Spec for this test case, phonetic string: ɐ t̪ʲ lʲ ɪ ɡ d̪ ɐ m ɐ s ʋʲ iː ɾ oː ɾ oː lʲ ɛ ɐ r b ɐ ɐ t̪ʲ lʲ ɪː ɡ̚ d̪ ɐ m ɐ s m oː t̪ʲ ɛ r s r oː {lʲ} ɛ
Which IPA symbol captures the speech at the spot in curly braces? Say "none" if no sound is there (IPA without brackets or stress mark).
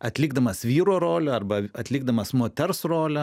lʲ